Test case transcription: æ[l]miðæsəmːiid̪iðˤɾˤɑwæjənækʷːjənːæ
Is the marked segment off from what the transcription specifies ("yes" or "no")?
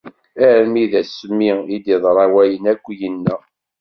yes